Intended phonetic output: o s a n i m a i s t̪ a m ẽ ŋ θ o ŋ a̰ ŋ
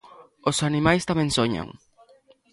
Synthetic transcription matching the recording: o s a n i m a j s t̪ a m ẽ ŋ s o ɲ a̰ ŋ